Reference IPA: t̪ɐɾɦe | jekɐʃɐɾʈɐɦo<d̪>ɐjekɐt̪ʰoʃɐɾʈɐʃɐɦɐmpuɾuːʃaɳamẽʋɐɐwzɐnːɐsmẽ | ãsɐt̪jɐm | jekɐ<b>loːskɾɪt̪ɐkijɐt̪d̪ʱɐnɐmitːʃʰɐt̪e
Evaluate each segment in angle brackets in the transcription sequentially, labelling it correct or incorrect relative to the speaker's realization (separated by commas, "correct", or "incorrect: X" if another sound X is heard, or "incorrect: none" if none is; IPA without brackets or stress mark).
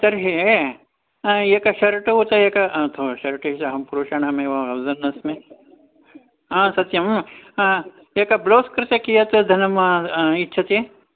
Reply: incorrect: t̪, correct